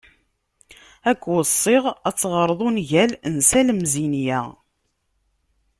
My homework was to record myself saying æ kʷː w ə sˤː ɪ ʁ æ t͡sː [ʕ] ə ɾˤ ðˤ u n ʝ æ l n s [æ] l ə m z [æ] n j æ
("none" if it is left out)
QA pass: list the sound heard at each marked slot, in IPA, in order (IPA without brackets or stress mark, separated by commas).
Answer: ʁ, æ, i